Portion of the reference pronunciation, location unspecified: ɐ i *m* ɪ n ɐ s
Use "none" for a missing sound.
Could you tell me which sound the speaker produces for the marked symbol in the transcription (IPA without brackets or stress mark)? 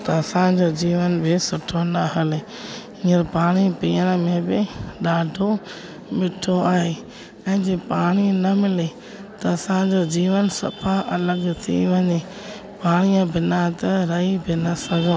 b